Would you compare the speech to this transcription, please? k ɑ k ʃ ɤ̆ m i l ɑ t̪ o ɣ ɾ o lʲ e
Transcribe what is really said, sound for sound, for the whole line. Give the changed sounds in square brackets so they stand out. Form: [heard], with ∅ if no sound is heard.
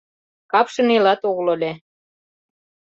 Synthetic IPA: k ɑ [p] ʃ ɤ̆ [n] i l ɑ t̪ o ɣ [l] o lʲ e